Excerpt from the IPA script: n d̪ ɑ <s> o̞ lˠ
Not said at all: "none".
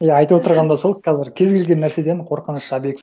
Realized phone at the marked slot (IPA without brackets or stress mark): s